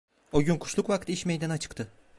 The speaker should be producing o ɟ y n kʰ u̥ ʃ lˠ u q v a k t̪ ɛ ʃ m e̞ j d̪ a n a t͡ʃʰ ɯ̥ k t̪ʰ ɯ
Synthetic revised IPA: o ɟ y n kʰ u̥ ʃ lˠ u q v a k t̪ i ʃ m e̞ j d̪ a n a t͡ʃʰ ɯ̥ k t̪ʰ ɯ